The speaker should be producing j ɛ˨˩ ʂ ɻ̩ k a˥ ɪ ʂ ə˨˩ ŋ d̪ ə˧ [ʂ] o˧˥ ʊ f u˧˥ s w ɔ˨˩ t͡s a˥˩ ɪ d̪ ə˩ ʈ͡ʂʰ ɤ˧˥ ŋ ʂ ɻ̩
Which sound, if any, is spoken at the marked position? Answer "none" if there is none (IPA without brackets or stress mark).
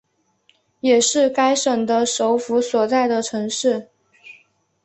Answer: ʂ